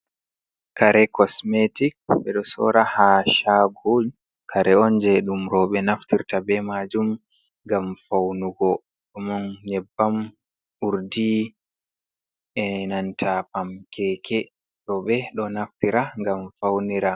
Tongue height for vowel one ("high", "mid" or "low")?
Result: low